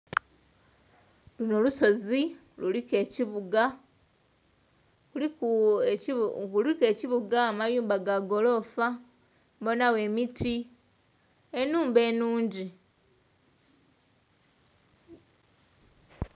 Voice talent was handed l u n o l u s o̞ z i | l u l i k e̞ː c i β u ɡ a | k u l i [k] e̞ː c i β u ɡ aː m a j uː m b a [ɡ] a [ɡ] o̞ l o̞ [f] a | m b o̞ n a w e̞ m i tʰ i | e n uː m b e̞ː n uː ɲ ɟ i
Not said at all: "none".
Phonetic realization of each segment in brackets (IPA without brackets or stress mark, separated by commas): k, ɡ, ɡ, f